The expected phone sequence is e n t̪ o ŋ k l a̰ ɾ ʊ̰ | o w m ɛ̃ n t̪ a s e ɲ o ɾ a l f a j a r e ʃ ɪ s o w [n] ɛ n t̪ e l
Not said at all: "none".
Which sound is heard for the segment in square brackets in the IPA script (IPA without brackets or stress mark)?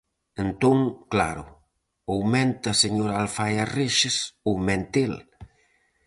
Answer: m